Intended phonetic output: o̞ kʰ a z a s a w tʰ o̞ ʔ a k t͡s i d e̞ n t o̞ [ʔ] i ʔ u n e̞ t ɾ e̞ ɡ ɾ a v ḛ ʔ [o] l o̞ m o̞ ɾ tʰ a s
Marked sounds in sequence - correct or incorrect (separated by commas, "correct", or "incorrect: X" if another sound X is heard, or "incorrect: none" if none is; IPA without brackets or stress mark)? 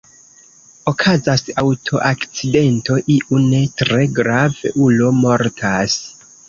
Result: correct, incorrect: u